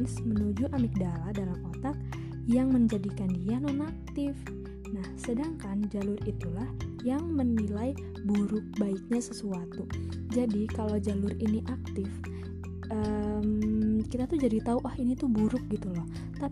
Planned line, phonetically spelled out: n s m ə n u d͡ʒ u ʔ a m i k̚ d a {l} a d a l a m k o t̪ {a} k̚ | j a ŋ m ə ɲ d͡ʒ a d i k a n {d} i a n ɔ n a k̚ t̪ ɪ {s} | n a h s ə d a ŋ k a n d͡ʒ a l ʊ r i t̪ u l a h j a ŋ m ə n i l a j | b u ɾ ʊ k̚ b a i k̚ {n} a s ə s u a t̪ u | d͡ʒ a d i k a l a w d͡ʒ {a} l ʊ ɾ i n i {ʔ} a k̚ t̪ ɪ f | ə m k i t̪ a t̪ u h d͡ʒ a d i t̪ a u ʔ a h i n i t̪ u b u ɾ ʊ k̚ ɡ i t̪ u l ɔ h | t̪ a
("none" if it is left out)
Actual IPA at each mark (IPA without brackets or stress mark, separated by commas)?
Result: l, a, d, f, ɲ, a, ʔ